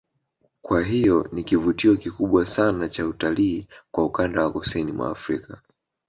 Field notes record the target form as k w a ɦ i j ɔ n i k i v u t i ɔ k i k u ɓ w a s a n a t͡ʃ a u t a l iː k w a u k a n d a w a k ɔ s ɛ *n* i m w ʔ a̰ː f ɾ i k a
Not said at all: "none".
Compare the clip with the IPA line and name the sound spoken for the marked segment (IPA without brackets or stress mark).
n